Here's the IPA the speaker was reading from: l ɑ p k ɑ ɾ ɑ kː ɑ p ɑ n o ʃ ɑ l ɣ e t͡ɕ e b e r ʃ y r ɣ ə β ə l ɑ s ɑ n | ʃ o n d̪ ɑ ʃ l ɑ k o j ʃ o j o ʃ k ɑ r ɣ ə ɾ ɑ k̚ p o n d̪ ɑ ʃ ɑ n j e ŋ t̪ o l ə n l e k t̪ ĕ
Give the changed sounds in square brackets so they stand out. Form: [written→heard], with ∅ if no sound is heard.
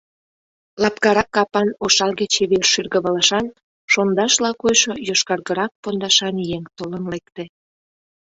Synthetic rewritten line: l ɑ p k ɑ ɾ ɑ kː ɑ p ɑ n o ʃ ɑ l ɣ e t͡ɕ e [b→β] e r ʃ y r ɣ ə β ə l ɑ [s→ʃ] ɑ n | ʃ o n d̪ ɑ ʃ l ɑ k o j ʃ o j o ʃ k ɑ r ɣ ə ɾ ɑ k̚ p o n d̪ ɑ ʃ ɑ n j e ŋ t̪ o l ə n l e k t̪ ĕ